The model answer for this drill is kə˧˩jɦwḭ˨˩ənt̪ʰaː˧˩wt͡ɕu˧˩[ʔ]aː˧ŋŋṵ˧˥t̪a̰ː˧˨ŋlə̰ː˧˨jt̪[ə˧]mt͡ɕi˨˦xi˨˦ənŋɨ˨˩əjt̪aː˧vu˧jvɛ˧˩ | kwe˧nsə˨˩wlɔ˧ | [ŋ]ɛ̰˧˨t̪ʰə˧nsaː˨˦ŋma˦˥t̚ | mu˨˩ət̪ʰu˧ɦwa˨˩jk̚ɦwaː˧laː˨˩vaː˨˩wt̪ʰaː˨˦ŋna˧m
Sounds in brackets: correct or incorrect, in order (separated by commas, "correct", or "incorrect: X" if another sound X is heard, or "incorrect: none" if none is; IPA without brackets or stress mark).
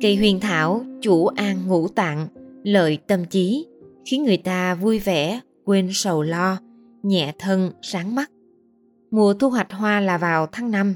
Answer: correct, correct, incorrect: ɲ